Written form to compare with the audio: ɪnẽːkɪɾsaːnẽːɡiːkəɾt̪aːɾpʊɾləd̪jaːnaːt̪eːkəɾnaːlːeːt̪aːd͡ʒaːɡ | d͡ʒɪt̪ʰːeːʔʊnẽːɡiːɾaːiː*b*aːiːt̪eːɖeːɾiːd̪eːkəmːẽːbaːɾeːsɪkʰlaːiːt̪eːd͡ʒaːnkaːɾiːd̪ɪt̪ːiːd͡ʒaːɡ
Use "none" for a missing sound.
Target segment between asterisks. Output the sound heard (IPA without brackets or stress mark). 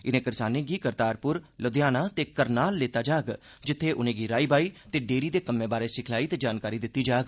b